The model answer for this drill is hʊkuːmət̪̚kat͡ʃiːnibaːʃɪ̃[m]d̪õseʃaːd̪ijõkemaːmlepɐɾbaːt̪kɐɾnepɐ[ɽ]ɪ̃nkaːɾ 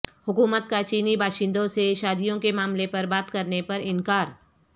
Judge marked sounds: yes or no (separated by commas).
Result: no, no